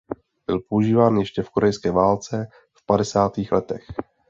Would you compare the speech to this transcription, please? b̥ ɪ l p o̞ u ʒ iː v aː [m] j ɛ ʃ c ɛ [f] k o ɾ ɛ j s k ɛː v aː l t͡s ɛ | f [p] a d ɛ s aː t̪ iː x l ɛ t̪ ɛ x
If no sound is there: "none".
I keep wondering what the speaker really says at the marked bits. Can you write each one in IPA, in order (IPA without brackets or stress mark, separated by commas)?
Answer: n, f, p